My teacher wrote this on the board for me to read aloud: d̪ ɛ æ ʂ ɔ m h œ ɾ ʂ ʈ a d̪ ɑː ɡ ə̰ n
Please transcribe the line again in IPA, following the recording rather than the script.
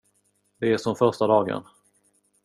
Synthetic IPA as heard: d̪ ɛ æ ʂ ɔ m f œ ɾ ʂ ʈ a d̪ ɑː ɡ ə̰ n